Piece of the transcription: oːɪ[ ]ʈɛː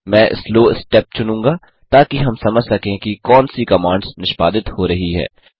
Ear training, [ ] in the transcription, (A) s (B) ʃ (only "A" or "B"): A